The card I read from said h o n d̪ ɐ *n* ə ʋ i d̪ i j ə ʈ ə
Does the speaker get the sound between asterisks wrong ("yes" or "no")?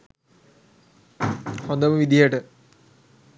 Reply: yes